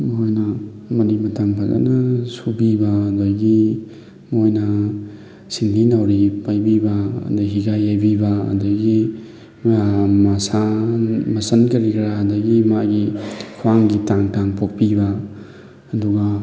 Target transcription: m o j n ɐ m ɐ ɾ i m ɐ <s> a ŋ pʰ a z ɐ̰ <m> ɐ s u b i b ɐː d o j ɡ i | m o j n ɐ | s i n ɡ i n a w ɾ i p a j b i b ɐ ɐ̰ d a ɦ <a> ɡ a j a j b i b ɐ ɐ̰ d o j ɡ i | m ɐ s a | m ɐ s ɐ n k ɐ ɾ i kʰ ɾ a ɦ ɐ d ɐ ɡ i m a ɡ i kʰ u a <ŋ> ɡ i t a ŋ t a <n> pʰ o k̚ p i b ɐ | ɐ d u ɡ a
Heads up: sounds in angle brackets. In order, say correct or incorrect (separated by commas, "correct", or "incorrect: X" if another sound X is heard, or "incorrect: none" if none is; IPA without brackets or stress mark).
incorrect: t, incorrect: n, incorrect: i, correct, incorrect: ŋ